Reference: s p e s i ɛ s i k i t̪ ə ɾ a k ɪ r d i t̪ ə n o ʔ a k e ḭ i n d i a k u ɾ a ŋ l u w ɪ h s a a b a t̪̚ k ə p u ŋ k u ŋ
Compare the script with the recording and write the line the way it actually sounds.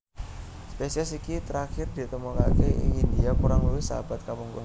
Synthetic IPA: s p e s i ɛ s i k i t̪ ə ɾ a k ɪ r d i t̪ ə m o k a k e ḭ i n d i a k u ɾ a ŋ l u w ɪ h s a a b a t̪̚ k a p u ŋ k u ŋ